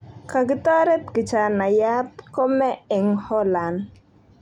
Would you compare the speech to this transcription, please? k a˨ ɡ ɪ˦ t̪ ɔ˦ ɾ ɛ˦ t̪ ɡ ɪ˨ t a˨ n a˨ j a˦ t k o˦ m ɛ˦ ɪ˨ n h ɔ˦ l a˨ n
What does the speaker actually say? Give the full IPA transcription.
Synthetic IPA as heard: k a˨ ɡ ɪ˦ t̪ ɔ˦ ɾ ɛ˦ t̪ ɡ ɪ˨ t͡ʃ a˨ n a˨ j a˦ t k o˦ m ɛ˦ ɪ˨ ŋ h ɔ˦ l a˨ n